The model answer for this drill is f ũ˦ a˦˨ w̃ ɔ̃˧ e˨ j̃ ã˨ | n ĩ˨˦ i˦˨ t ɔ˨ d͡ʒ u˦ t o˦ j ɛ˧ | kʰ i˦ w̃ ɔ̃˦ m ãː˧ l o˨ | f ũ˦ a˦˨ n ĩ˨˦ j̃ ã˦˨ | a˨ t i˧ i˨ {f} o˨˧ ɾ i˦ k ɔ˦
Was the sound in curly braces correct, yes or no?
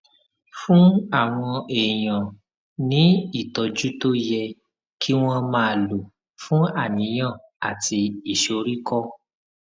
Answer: no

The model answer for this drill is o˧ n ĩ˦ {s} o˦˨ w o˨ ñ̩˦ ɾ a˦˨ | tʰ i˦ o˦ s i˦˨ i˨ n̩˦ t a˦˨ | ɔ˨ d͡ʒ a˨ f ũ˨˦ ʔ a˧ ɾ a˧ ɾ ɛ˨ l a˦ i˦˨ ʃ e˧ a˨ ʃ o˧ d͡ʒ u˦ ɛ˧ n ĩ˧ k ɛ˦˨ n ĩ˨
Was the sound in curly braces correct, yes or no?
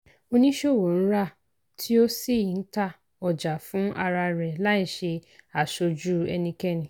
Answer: no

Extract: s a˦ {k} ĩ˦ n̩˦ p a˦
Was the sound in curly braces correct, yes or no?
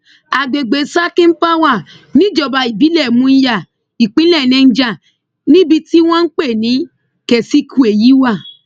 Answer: yes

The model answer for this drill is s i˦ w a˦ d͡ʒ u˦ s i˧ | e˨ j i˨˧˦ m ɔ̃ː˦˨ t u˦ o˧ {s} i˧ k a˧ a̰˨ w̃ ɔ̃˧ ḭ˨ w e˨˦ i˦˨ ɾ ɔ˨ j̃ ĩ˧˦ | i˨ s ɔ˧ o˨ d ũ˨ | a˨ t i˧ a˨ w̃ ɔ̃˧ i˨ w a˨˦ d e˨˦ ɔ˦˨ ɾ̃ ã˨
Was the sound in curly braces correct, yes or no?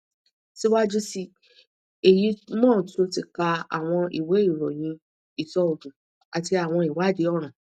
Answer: no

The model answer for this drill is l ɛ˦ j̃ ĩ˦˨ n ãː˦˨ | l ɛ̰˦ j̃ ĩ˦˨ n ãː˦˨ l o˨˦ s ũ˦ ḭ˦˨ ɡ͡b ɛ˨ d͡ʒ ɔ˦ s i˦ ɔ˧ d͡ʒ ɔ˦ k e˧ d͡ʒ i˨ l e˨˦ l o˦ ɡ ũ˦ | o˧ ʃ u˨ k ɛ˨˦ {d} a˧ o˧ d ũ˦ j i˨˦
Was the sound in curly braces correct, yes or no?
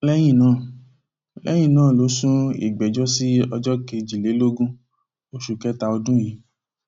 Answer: no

